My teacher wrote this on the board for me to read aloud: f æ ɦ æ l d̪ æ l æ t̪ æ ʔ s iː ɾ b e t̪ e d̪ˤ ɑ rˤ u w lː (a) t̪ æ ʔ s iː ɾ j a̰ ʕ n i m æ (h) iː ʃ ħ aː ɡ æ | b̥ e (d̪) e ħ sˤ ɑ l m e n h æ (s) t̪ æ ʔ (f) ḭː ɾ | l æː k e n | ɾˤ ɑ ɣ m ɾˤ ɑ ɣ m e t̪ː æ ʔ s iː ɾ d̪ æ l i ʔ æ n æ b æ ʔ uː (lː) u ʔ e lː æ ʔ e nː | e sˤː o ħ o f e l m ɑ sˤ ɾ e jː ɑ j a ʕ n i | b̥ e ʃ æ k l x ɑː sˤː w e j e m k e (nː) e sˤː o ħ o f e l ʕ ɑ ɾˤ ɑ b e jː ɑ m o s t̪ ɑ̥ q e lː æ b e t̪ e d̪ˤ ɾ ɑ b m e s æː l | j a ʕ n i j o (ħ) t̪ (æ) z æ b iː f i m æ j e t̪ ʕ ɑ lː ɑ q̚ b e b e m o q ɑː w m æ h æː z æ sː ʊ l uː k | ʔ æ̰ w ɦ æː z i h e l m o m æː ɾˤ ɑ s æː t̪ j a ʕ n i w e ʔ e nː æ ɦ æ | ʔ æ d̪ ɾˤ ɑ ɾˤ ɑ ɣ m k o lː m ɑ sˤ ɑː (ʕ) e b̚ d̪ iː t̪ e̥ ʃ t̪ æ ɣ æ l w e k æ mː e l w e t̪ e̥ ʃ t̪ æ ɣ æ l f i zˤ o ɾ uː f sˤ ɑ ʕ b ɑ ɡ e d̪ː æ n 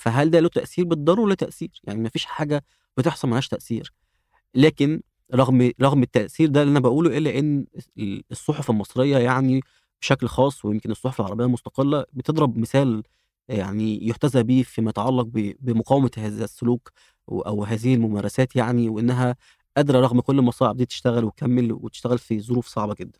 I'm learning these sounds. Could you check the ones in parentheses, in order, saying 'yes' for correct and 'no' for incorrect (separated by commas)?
no, no, no, no, no, no, no, yes, yes, yes